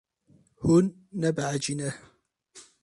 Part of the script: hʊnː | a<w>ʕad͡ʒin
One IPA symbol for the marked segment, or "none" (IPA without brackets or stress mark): b